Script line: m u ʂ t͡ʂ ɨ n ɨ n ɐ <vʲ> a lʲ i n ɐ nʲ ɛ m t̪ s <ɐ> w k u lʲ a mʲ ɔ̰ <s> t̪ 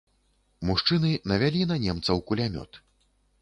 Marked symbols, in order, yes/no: yes, yes, no

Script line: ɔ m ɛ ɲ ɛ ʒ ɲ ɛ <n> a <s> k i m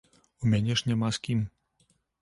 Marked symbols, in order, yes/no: no, yes

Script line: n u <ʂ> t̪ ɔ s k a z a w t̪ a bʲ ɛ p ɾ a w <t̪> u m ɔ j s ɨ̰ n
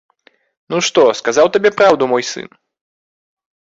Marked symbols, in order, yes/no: yes, no

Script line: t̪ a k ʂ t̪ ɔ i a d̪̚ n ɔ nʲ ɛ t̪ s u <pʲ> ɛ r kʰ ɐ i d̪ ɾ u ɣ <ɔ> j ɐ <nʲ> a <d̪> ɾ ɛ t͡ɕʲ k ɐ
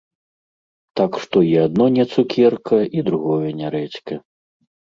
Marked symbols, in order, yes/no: no, yes, yes, no

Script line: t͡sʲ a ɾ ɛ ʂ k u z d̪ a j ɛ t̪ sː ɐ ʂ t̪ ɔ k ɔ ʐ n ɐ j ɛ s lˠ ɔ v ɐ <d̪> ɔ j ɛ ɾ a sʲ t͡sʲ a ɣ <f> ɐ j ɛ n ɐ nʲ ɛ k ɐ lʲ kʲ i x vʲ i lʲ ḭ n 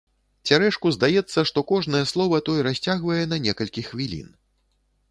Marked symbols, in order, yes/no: no, no

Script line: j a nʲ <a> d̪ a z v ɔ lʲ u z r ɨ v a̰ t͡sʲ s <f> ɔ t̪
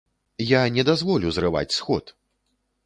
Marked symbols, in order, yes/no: no, no

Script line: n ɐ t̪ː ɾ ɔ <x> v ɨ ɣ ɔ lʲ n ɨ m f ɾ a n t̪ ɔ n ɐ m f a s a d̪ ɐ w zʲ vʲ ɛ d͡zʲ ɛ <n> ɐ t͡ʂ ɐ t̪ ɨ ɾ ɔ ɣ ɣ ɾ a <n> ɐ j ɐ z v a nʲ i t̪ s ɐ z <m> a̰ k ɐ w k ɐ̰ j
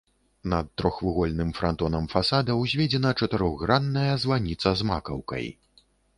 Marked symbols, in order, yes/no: yes, yes, no, yes

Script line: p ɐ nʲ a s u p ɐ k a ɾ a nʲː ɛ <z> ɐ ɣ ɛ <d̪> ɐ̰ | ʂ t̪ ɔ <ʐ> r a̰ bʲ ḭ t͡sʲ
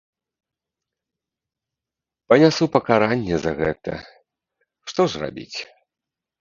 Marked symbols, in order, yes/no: yes, no, yes

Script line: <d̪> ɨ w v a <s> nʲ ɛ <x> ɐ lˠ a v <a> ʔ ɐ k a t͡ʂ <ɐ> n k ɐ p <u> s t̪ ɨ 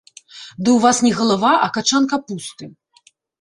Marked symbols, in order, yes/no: yes, yes, no, yes, no, yes

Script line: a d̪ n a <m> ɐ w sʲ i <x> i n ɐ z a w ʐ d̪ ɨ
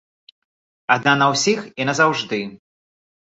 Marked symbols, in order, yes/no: no, yes

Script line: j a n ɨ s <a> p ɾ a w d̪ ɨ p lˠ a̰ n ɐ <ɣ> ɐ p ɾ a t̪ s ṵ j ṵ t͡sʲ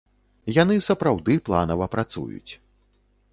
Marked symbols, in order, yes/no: no, no

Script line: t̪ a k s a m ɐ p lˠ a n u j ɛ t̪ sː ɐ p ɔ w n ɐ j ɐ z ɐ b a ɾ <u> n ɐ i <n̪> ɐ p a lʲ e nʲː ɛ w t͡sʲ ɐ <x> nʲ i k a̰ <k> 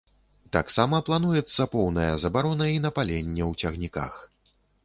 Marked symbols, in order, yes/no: no, yes, no, no

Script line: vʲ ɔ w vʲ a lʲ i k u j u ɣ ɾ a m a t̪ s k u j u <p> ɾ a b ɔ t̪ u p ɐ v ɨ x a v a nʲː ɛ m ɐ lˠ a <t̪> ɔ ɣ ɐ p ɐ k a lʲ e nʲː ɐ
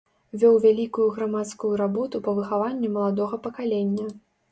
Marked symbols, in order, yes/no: no, no

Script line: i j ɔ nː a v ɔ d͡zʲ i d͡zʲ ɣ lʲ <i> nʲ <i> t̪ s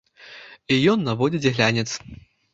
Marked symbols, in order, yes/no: no, no

